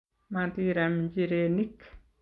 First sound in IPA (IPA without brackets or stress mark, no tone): m